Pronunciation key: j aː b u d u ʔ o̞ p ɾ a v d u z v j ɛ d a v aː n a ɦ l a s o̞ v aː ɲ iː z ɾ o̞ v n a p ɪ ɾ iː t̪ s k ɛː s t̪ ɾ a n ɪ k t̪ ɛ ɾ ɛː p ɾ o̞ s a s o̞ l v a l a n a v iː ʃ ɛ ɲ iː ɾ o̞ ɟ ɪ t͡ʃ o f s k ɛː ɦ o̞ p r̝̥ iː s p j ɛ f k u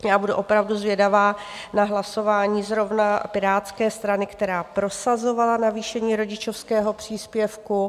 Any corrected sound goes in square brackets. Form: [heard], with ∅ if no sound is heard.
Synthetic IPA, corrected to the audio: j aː b u d u ʔ o̞ p ɾ a v d u z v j ɛ d a v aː n a ɦ l a s o̞ v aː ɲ iː z ɾ o̞ v n a p ɪ ɾ [aː] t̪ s k ɛː s t̪ ɾ a n ɪ k t̪ ɛ ɾ [aː] p ɾ o̞ s a [z] o̞ [∅] v a l a n a v iː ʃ ɛ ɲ iː ɾ o̞ ɟ ɪ t͡ʃ o f s k ɛː ɦ o̞ p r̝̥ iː s p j ɛ f k u